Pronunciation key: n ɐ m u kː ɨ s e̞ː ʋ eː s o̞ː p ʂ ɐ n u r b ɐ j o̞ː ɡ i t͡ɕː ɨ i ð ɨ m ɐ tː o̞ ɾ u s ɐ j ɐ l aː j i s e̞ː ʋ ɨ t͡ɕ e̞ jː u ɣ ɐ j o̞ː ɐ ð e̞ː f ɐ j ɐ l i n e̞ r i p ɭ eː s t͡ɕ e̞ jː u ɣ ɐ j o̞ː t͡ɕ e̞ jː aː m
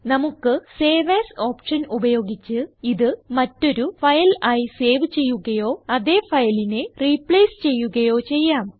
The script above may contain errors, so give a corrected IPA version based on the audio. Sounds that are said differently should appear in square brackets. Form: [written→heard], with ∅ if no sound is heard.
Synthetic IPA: n ɐ m u kː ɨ s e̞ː ʋ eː s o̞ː p ʂ ɐ n u [r→∅] b ɐ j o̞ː ɡ i t͡ɕː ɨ i ð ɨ m ɐ tː o̞ ɾ u [s→f] ɐ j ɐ l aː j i s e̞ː ʋ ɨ t͡ɕ e̞ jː u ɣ ɐ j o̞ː ɐ ð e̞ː f ɐ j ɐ l i n e̞ r i p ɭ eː s t͡ɕ e̞ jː u ɣ ɐ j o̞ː t͡ɕ e̞ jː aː m